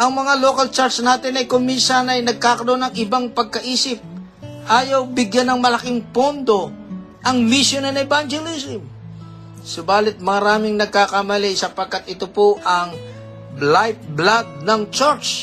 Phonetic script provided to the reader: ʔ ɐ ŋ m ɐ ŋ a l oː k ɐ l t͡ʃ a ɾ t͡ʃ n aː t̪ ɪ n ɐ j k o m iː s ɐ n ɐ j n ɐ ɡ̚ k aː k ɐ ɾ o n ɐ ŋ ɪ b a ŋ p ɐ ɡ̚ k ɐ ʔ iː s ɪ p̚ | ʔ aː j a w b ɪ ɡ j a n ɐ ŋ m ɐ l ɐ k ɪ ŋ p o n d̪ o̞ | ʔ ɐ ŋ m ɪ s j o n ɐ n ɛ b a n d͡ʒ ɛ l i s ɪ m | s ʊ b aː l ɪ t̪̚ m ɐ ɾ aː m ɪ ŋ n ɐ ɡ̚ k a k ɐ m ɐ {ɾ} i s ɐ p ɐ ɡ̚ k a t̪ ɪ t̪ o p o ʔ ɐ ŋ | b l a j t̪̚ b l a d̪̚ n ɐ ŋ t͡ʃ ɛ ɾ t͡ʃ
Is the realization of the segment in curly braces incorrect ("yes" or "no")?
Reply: yes